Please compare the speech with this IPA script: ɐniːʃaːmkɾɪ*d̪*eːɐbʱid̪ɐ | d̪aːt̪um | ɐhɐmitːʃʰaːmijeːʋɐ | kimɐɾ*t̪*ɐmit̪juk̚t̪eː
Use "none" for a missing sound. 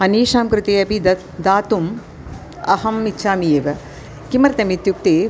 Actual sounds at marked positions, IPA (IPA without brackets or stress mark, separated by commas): t̪, t̪